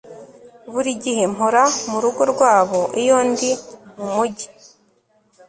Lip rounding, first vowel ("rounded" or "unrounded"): rounded